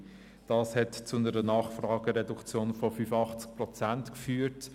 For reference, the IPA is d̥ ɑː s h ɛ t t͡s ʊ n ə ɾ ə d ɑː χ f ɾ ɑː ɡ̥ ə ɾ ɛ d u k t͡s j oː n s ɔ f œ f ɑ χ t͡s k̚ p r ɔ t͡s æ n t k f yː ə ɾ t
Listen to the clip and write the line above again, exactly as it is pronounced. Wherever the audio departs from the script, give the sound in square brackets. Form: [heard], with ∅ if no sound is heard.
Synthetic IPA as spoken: d̥ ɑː s h ɛ t t͡s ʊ n ə ɾ ə [n] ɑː χ f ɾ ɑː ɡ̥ ə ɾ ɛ d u k t͡s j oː n [f] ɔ f [y] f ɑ χ t͡s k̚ p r ɔ t͡s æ n t k f yː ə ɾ t